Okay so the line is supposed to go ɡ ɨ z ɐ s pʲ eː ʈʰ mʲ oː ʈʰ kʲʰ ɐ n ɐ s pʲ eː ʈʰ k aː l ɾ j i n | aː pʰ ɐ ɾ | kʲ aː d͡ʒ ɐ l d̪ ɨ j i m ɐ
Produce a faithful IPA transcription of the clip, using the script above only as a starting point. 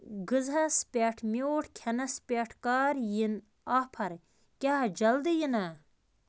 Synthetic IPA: ɡ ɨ z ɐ s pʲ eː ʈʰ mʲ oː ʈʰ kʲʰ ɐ n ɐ s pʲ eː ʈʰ k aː ɾ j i n | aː pʰ ɐ ɾ | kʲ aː d͡ʒ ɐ l d̪ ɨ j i n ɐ